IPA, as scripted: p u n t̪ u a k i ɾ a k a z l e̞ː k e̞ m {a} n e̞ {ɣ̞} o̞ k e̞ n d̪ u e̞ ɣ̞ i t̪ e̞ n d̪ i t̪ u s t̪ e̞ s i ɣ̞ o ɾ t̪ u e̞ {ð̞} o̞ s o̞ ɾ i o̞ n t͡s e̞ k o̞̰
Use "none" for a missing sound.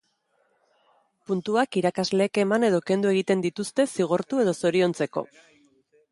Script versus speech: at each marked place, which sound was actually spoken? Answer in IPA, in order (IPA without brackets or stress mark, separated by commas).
a, ð̞, ð̞